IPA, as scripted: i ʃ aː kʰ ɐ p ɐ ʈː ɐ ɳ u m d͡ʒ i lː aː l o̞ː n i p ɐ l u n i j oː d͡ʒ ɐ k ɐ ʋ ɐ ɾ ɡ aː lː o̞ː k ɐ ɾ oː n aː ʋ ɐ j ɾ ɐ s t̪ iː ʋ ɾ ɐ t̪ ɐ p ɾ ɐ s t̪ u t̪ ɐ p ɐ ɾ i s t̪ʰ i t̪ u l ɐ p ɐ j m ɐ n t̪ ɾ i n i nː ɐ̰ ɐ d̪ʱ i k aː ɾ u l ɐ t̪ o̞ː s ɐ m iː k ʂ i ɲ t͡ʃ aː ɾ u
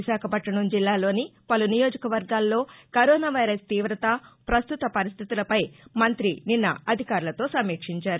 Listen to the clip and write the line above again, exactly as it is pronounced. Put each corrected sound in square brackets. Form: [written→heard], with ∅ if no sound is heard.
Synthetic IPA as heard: i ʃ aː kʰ ɐ p ɐ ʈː ɐ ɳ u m d͡ʒ i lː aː l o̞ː n i p ɐ l u n i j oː d͡ʒ ɐ k ɐ ʋ ɐ ɾ ɡ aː lː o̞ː k ɐ ɾ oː n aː ʋ ɐ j ɾ ɐ s t̪ iː ʋ ɾ ɐ t̪ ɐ p ɾ ɐ s t̪ u t̪ ɐ p ɐ ɾ i s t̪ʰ i t̪ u l ɐ p ɐ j m ɐ n t̪ ɾ i n i nː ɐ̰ ɐ d̪ʱ i k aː ɾ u l ɐ t̪ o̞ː s ɐ m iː k ʂ i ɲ t͡ʃ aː ɾ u

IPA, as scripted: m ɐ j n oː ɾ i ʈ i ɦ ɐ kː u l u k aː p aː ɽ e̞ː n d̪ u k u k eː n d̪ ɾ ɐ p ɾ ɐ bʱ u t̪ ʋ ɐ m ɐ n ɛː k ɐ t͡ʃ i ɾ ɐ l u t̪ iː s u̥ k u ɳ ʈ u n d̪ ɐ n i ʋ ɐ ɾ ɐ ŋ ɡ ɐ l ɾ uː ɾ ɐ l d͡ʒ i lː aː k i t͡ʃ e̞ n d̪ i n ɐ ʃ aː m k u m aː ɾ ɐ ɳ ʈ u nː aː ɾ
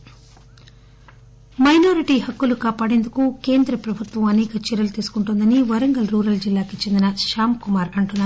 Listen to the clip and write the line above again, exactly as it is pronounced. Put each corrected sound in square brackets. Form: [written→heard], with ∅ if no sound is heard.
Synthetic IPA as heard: m ɐ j n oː ɾ i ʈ i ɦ ɐ kː u l u k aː p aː ɽ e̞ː n d̪ u k u k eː n d̪ ɾ ɐ p ɾ ɐ bʱ u t̪ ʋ ɐ m ɐ n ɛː k ɐ t͡ʃ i ɾ ɐ l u t̪ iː s u̥ k u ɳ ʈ u n d̪ ɐ n i ʋ ɐ ɾ ɐ ŋ ɡ ɐ l ɾ uː ɾ ɐ l d͡ʒ i lː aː k i t͡ʃ e̞ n d̪ i n ɐ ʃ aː m k u m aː ɾ ɐ ɳ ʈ u nː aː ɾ

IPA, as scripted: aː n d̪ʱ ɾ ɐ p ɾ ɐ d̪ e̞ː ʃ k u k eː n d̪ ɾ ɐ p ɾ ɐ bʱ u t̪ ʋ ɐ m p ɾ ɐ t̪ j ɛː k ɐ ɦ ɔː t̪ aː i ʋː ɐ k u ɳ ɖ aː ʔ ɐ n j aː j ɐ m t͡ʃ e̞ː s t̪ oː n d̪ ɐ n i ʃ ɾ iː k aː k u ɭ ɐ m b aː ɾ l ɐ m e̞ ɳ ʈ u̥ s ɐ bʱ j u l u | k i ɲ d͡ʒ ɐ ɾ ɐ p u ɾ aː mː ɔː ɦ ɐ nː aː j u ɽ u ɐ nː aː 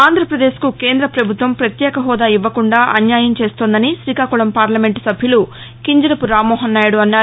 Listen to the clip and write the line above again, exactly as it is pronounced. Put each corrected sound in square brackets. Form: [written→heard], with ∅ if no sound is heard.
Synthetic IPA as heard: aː n d̪ʱ ɾ ɐ p ɾ ɐ d̪ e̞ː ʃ k u k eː n d̪ ɾ ɐ p ɾ ɐ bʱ u t̪ ʋ ɐ m p ɾ ɐ t̪ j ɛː k ɐ ɦ ɔː [t̪→d̪] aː i ʋː ɐ k u ɳ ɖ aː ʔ ɐ n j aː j ɐ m t͡ʃ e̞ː s t̪ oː n d̪ ɐ n i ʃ ɾ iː k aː k u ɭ ɐ m [b→p] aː ɾ l ɐ m e̞ ɳ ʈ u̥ s ɐ bʱ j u l u | k i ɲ d͡ʒ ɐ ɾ ɐ p u ɾ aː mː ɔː ɦ ɐ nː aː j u ɽ u ɐ nː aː

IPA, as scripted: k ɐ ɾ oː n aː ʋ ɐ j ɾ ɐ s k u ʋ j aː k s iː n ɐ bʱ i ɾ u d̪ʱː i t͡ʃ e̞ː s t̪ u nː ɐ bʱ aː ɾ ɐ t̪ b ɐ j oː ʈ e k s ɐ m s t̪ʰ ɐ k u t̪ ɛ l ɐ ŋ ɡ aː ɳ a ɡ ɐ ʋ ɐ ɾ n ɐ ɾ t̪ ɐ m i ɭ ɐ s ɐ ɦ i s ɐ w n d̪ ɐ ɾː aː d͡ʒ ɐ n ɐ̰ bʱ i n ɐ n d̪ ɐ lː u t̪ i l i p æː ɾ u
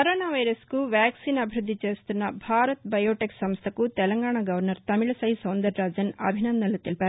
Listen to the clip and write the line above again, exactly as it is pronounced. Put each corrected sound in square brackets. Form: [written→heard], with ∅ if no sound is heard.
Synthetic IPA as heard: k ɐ ɾ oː n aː ʋ ɐ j ɾ ɐ s k u ʋ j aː k s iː n ɐ bʱ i ɾ u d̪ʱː i t͡ʃ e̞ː s t̪ u nː ɐ bʱ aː ɾ ɐ t̪ b ɐ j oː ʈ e k s ɐ m s t̪ʰ ɐ k u t̪ ɛ l ɐ ŋ ɡ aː ɳ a ɡ ɐ ʋ ɐ ɾ n ɐ ɾ t̪ ɐ m i ɭ ɐ s ɐ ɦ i s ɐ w n d̪ ɐ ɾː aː d͡ʒ ɐ n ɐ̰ bʱ i n ɐ n d̪ ɐ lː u t̪ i l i p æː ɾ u

